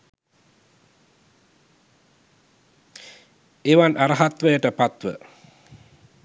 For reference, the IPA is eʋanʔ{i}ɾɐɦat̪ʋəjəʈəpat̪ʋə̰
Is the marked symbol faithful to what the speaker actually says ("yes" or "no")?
no